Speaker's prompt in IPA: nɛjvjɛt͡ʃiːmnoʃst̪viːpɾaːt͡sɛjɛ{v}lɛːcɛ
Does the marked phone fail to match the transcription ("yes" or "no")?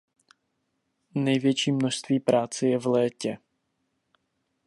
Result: no